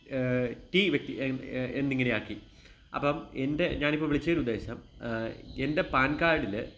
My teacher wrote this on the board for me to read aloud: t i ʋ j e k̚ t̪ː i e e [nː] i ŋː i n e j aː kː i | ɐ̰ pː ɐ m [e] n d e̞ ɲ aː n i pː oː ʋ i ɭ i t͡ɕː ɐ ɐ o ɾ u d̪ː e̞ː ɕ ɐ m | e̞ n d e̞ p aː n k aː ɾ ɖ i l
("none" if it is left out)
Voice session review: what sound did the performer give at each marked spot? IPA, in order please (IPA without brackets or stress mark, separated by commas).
nː, e